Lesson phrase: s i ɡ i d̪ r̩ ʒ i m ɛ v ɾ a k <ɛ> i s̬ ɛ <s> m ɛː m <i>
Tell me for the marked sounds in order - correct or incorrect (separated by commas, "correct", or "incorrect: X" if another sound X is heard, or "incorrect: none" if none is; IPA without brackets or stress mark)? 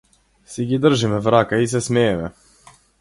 incorrect: a, correct, incorrect: ɛ